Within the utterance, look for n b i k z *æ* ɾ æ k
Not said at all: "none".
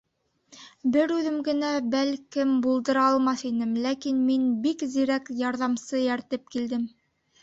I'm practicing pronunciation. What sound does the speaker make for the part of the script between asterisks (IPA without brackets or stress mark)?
i